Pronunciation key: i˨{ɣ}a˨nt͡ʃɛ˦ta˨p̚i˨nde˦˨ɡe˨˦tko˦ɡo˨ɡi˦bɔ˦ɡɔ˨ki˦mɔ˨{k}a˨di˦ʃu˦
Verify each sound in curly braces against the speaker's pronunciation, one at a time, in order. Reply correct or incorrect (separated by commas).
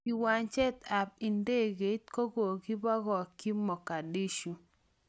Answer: incorrect, correct